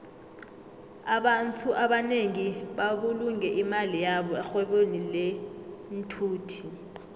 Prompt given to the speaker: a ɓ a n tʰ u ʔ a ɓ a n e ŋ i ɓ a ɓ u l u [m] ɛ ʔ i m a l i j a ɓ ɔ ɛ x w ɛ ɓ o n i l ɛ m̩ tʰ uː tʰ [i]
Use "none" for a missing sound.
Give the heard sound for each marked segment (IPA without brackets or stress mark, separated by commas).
ŋ, i